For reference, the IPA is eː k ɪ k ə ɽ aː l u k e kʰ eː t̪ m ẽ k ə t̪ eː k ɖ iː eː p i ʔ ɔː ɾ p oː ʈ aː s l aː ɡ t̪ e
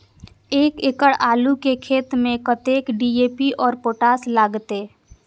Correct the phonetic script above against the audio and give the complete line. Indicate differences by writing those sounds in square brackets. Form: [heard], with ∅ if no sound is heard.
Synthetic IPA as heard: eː k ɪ k ə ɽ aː l u k e kʰ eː t̪ m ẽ k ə t̪ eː k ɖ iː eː p i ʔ ɔː ɾ p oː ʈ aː s l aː ɡ t̪ e